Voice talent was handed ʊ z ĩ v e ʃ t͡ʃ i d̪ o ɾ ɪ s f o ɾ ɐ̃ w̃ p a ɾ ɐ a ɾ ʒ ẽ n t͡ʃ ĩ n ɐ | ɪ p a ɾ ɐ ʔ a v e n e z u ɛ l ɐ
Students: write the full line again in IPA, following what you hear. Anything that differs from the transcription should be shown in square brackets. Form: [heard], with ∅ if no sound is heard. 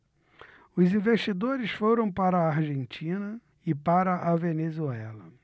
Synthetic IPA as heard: ʊ z ĩ v e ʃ t͡ʃ i d̪ o ɾ ɪ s f o ɾ ɐ̃ w̃ p a ɾ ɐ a ɾ ʒ ẽ n t͡ʃ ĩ n ɐ | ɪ p a ɾ ɐ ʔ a v e n e z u ɛ l ɐ